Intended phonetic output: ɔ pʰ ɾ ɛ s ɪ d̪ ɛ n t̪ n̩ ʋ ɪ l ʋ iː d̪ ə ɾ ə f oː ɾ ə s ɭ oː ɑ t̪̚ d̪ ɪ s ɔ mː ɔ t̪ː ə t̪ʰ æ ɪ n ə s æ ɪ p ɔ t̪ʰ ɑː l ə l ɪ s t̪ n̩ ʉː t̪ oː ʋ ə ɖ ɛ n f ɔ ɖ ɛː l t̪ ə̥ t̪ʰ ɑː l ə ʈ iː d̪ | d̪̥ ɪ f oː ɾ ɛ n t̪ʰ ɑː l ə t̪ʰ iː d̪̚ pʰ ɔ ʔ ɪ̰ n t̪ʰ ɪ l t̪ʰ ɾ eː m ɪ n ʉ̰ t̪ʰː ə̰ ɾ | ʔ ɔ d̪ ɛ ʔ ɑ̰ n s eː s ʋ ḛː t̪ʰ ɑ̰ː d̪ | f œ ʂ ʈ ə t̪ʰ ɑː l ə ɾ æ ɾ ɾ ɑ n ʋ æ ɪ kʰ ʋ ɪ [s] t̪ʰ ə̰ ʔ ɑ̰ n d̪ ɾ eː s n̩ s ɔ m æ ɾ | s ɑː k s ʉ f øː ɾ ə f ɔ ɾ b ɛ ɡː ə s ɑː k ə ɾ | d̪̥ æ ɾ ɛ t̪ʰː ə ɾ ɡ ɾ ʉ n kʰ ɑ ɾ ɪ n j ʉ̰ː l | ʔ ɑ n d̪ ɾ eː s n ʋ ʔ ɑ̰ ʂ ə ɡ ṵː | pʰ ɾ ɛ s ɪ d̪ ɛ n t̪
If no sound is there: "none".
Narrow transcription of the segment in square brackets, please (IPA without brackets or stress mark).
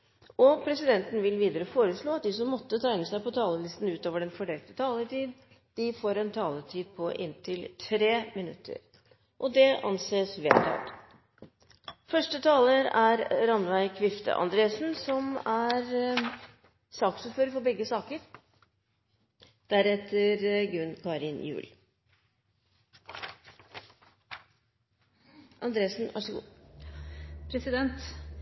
f